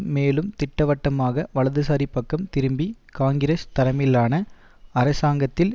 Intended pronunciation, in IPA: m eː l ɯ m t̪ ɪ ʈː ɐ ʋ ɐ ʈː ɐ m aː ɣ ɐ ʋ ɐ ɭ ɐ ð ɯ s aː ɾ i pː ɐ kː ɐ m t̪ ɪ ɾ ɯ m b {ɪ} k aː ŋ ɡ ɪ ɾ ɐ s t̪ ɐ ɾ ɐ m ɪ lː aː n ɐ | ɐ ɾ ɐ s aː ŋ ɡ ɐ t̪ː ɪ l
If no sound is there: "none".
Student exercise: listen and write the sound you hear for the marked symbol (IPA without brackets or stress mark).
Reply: i